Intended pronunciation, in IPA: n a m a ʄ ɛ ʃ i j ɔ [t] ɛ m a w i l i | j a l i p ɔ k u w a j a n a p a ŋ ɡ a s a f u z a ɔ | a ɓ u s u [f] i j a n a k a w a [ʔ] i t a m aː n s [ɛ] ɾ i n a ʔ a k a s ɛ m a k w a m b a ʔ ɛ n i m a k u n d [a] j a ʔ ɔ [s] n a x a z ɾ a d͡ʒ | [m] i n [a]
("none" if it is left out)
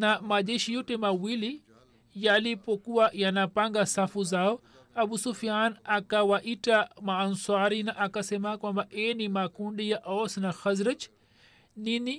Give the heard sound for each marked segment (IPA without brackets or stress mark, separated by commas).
t, f, ʔ, a, i, s, n, i